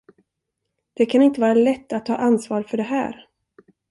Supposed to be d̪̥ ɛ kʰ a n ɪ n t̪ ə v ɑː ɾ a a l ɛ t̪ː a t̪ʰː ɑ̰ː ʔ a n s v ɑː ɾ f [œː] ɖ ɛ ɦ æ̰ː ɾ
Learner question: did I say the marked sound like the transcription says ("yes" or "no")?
no